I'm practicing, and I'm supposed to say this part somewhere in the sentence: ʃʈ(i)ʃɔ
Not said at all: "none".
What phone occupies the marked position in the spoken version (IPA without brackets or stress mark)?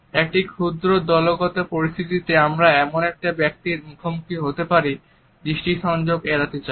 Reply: i